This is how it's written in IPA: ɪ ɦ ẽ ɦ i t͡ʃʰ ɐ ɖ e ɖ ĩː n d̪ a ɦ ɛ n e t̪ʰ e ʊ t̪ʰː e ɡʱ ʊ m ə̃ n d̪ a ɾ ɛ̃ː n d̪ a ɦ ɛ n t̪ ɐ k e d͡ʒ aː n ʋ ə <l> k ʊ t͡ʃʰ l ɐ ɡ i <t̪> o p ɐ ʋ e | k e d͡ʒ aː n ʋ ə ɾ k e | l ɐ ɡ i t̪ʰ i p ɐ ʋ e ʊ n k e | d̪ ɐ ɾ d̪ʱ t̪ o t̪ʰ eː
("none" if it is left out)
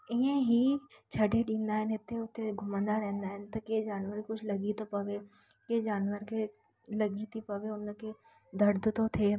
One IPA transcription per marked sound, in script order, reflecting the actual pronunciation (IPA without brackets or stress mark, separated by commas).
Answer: ɾ, t̪